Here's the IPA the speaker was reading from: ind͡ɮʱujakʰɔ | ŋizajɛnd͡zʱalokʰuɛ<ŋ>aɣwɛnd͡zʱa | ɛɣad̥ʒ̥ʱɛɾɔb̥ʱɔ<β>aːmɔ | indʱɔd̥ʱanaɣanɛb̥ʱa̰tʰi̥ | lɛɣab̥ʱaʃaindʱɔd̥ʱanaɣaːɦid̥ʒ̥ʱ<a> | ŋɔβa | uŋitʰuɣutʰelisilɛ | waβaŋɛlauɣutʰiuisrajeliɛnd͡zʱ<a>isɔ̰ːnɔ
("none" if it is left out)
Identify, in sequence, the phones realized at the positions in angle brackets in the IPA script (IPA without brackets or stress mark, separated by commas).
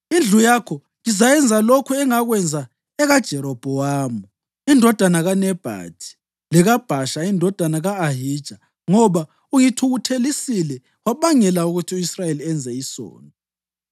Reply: ŋ, w, a, ɛ